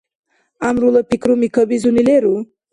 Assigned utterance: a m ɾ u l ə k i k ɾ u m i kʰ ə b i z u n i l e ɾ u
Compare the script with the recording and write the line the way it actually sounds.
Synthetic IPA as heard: a m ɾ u l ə p i k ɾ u m i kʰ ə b i z u n i l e ɾ u